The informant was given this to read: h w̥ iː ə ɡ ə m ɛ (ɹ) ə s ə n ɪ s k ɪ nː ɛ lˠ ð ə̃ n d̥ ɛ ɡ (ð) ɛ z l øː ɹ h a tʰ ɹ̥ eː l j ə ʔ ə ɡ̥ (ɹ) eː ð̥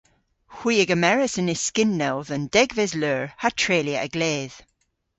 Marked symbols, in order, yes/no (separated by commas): yes, no, no